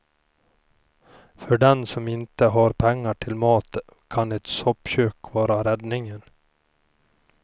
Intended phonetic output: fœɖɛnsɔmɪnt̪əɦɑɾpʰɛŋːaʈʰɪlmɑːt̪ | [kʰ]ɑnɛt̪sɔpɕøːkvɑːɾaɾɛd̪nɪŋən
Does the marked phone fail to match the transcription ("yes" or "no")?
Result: no